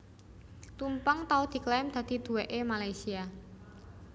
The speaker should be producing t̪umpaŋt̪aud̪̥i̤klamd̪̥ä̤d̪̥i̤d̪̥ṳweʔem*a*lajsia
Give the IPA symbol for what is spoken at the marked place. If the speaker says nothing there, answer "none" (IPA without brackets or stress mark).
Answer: a